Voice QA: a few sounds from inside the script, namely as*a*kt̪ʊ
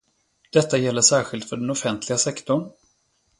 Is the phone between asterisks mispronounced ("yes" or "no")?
yes